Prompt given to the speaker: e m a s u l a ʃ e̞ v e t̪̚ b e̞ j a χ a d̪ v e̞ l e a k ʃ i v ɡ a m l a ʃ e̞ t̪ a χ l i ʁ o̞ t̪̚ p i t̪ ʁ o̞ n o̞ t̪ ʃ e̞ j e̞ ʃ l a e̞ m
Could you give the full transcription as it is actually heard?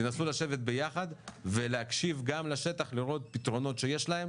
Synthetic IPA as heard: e n a s u l a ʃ e̞ v e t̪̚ b e̞ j a χ a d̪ v e̞ l e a k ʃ i v ɡ a m l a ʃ e̞ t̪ a χ l i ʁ o̞ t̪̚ p i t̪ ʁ o̞ n o̞ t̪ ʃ e̞ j e̞ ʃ l a e̞ m